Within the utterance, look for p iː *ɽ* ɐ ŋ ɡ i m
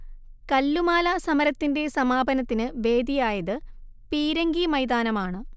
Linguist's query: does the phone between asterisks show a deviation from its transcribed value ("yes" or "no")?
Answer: yes